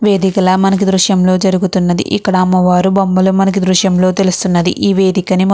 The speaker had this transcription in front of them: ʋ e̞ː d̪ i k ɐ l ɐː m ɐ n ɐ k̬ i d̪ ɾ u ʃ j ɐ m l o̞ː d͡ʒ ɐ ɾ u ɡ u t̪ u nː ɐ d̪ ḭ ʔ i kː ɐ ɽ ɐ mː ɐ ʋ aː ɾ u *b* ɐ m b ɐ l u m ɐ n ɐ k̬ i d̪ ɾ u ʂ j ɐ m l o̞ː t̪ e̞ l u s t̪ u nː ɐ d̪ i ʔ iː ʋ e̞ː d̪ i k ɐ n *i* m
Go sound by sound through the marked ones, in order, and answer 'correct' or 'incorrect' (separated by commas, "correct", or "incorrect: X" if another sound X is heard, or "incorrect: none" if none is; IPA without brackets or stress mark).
correct, correct